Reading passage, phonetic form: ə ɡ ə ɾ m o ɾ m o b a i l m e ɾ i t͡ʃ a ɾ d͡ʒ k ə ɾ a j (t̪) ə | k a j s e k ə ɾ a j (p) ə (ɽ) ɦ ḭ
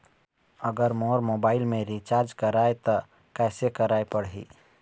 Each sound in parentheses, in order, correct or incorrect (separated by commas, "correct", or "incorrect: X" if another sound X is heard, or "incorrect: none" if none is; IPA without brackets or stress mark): correct, correct, correct